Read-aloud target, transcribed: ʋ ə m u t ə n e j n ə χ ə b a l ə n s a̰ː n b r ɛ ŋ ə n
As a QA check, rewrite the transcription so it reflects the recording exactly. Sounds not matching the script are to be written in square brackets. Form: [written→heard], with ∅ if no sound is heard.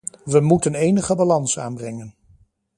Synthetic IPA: ʋ ə m u t ə n e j n ə χ ə b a l [ə→ɑ] n s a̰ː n b r ɛ ŋ ə n

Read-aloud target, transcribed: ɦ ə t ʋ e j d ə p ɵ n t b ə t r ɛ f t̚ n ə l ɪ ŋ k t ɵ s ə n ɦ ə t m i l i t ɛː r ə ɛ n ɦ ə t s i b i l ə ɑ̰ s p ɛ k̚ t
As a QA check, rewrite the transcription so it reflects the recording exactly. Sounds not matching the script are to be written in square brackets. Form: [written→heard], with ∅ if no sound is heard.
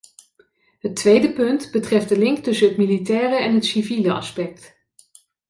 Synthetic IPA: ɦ ə t ʋ e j d ə p ɵ n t b ə t r ɛ f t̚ [n→d] ə l ɪ ŋ k t ɵ s ə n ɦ ə t m i l i t ɛː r ə ɛ n ɦ ə t s i [b→v] i l ə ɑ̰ s p ɛ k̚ t

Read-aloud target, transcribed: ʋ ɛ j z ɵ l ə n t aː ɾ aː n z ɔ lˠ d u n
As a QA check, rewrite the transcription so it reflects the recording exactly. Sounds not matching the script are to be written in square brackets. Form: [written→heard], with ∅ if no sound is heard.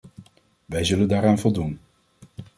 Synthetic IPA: ʋ ɛ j z ɵ l ə n [t→d] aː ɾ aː n [z→v] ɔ lˠ d u n

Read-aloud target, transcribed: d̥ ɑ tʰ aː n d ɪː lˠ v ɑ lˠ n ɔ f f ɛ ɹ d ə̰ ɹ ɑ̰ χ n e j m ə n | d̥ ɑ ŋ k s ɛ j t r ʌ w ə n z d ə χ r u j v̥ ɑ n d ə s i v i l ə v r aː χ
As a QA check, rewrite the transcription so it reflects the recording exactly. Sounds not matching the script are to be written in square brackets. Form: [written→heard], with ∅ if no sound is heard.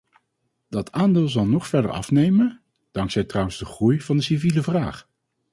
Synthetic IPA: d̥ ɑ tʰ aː n d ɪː lˠ [v→z] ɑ lˠ n ɔ [f→χ] f ɛ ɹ d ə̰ ɹ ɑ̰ [χ→f] n e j m ə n | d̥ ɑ ŋ k s ɛ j t r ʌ w ə n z d ə χ r u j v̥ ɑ n d ə s i v i l ə v r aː χ

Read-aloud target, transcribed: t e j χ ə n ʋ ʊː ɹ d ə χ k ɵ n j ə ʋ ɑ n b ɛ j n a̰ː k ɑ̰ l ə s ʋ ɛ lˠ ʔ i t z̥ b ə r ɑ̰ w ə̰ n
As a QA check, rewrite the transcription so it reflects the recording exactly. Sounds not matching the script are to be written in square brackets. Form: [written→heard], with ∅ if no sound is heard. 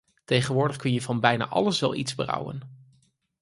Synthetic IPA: t e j χ ə n ʋ ʊː ɹ d ə χ k ɵ n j ə [ʋ→v] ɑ n b ɛ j n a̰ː [k→ʔ] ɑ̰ l ə s ʋ ɛ lˠ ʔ i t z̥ b ə r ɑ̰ w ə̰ n

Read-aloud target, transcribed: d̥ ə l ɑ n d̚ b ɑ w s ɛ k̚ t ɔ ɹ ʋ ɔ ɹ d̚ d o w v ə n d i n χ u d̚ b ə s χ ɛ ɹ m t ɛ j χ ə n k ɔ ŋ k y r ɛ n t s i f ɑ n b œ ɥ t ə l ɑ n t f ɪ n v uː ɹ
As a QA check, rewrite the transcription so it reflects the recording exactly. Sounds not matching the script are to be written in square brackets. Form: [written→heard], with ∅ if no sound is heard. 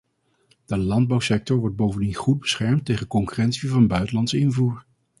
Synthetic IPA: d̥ ə l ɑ n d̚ b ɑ w s ɛ k̚ t ɔ ɹ ʋ ɔ ɹ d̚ [d→b] o w v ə n d i n χ u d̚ b ə s χ ɛ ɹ m t [ɛ→e] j χ ə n k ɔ ŋ k y r ɛ n t s i [f→v] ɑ n b œ ɥ t ə l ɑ n t [f→s] ɪ n v uː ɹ

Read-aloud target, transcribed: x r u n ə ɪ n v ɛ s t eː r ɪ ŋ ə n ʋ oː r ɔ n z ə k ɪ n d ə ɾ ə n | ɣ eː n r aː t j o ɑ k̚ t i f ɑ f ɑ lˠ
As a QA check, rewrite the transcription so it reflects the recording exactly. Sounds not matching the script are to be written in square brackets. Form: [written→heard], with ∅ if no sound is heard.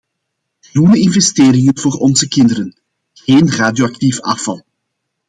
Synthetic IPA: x r u n ə ɪ n v ɛ s t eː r ɪ ŋ ə n [ʋ→v] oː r ɔ n z ə k ɪ n d ə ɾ ə n | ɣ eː n r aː [t→d] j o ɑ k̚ t i f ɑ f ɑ lˠ

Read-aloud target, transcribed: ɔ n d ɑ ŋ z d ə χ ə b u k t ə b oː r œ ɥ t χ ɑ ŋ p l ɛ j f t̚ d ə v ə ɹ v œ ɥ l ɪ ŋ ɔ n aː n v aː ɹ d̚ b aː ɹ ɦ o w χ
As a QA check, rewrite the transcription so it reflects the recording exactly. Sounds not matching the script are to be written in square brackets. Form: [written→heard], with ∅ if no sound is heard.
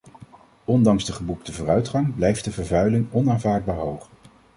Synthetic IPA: ɔ n d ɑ ŋ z d ə χ ə b u k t ə [b→v] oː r œ ɥ t χ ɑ ŋ [p→b] l ɛ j f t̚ d ə v ə ɹ v œ ɥ l ɪ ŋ ɔ n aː n v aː ɹ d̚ b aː ɹ ɦ o w χ

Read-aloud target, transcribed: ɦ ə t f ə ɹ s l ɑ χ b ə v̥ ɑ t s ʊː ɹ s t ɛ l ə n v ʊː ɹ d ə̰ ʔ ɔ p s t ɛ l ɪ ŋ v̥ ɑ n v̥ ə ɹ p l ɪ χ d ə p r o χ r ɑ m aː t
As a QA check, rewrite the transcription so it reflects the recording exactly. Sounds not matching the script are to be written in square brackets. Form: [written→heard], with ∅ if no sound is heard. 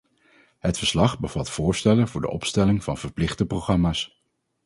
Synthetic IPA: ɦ ə t f ə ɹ s l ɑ χ b ə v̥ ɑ t [s→f] ʊː ɹ s t ɛ l ə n v ʊː ɹ d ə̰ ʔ ɔ p s t ɛ l ɪ ŋ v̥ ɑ n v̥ ə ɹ p l ɪ χ d ə p r o χ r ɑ m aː [t→s]

